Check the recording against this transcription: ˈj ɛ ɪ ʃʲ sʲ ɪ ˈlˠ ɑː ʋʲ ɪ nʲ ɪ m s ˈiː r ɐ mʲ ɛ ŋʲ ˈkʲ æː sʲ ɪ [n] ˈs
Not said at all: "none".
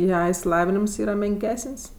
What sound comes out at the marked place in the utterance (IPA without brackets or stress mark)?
n